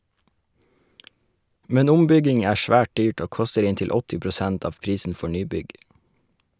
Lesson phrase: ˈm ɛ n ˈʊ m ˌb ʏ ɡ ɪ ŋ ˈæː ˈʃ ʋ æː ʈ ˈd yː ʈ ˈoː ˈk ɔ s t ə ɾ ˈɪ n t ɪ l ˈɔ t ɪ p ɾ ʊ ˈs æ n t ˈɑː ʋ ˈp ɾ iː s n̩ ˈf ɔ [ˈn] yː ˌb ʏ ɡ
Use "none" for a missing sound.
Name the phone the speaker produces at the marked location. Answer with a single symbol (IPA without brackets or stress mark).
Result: ɳ